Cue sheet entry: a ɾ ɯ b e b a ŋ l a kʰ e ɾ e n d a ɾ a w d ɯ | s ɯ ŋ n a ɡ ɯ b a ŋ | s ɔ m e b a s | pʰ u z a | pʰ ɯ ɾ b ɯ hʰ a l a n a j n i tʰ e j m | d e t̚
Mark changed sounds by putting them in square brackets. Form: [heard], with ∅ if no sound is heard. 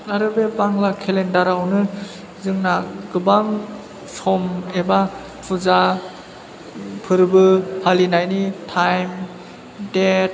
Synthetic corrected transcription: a ɾ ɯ b e b a ŋ l a kʰ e [l] e n d a ɾ a w [n] ɯ | [z] ɯ ŋ n a ɡ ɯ b a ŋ | s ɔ m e b a [∅] | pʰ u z a | pʰ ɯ ɾ b ɯ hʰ a l [i] n a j n i tʰ [a] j m | d e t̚